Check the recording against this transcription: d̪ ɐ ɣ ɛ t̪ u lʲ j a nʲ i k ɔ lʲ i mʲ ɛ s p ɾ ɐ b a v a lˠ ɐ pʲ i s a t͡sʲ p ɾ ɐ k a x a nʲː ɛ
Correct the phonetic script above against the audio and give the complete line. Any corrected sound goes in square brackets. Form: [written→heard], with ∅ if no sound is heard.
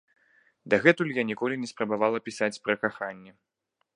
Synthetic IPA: d̪ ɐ ɣ ɛ t̪ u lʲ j a nʲ i k ɔ lʲ i [mʲ→nʲ] ɛ s p ɾ ɐ b a v a lˠ ɐ pʲ i s a t͡sʲ p ɾ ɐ k a x a nʲː ɛ